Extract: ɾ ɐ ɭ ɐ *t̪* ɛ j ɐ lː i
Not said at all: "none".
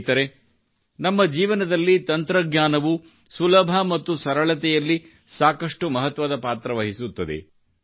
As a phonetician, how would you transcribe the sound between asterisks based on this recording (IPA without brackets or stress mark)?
t̪